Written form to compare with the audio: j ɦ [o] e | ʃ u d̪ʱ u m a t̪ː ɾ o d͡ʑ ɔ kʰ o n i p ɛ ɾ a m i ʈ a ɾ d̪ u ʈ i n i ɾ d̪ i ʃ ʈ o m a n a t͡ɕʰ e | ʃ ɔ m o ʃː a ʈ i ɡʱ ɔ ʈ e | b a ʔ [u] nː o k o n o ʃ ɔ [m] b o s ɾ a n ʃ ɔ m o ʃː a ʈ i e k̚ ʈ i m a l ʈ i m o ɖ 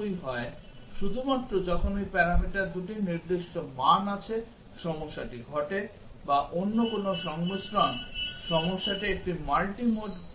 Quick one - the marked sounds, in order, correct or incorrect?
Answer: incorrect: ɔ, incorrect: o, incorrect: ŋ

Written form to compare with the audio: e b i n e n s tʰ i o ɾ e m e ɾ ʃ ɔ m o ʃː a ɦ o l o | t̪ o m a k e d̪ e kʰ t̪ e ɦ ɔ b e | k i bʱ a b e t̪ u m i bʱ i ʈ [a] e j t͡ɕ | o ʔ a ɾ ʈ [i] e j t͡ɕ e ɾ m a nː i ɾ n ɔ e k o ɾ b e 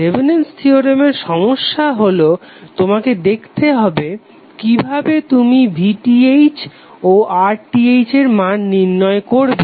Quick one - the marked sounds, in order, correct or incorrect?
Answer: incorrect: i, correct

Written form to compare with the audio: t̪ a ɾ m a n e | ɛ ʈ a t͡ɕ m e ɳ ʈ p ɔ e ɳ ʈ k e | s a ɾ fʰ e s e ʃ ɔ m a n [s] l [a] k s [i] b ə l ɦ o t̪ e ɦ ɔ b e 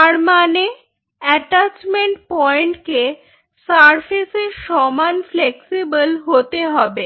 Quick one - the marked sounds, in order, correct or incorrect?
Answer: incorrect: f, incorrect: e, correct

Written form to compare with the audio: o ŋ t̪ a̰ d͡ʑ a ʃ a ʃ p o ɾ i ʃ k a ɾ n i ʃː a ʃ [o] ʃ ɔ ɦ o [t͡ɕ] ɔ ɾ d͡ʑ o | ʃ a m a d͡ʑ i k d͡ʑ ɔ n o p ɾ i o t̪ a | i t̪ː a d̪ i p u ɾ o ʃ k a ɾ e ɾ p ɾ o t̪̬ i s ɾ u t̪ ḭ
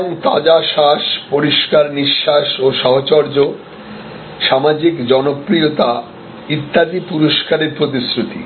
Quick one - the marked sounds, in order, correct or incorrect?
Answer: correct, correct

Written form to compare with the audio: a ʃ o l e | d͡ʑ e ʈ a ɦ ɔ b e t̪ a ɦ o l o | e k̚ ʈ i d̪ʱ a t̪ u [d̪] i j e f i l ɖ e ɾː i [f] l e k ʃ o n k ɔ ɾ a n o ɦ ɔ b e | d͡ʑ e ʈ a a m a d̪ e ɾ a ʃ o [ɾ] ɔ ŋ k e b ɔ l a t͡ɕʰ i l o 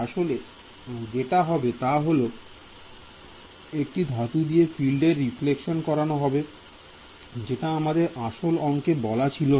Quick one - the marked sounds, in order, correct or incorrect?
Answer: correct, correct, incorrect: l

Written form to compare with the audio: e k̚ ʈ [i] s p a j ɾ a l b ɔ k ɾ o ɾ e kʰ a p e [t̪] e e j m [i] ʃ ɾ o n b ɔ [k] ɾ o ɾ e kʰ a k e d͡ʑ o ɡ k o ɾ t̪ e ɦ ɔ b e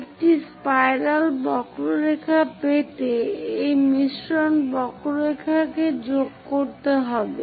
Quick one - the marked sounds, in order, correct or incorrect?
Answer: correct, correct, correct, correct

